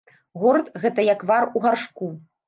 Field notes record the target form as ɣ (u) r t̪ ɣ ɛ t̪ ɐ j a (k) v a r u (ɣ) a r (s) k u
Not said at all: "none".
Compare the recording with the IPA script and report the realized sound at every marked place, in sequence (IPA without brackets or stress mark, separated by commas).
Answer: ɔ, k, ɣ, ʂ